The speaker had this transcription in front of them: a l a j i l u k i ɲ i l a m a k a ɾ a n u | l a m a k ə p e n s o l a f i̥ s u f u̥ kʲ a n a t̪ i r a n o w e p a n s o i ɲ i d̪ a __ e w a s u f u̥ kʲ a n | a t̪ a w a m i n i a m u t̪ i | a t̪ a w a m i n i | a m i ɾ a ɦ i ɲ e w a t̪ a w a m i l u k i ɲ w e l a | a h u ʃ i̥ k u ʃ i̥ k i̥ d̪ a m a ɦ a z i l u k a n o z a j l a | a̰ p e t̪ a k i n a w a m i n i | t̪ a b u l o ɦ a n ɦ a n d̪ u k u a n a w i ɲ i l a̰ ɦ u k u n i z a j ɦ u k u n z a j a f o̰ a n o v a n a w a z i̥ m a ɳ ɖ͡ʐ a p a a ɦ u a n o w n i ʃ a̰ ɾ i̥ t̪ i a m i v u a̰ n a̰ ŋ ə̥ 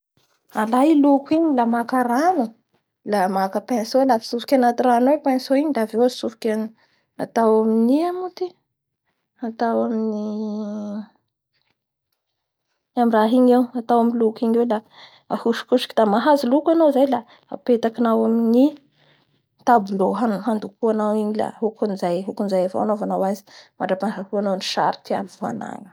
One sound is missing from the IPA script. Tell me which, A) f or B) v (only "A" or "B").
B